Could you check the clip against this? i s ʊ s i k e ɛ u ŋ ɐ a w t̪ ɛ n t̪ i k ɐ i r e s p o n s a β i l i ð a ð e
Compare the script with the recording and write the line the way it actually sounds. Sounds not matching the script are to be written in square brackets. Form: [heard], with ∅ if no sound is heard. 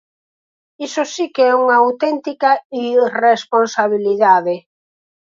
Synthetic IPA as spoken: i s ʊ s i k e ɛ u ŋ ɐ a w t̪ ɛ n t̪ i k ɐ i r e s p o n s a β i l i ð a ð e